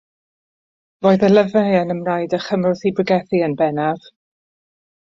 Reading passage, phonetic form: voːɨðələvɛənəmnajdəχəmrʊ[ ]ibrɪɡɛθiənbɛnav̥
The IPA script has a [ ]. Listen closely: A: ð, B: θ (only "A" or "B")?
B